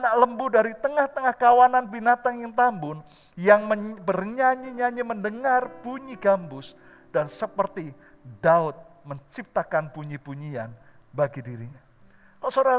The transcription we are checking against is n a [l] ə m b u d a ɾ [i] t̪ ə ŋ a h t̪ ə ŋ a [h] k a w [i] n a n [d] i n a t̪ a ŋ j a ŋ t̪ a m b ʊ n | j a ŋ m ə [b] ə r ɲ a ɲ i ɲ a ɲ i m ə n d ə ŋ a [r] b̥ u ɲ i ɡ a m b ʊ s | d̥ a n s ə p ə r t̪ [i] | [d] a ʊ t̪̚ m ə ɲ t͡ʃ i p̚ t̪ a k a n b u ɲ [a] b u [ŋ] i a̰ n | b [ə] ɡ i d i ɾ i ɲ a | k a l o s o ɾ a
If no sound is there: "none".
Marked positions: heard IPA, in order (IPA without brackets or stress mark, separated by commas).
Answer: l, i, h, a, b, b, r, i, d, i, ɲ, a